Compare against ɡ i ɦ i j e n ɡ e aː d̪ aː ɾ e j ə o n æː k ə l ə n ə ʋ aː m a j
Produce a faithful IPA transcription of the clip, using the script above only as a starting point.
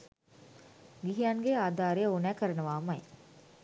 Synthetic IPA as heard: ɡ i ɦ i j a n ɡ e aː d̪ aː ɾ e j ə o n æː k ə ɾ ə n ə ʋ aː m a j